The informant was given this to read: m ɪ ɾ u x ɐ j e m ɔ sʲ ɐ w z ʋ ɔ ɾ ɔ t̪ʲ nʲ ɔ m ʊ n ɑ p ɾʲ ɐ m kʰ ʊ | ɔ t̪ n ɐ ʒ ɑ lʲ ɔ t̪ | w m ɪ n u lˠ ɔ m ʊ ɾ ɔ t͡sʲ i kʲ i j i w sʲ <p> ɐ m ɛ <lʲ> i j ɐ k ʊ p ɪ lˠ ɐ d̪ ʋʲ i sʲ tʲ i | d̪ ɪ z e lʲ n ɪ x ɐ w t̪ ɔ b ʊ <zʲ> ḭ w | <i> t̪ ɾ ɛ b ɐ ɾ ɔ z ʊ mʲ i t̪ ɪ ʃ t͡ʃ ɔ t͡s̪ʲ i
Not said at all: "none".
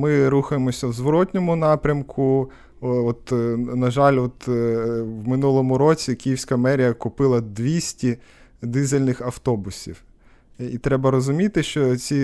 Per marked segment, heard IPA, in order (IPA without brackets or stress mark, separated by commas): k, ɾʲ, sʲ, i